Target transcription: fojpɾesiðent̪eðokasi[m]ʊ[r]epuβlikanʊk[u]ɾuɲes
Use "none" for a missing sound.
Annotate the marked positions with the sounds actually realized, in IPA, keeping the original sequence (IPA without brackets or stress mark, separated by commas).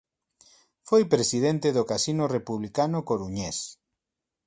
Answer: n, r, o